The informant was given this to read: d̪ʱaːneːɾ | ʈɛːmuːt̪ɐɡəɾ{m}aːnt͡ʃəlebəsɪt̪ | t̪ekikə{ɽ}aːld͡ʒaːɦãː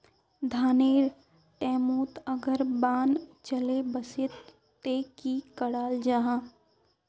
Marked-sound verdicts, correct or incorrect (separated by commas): incorrect, correct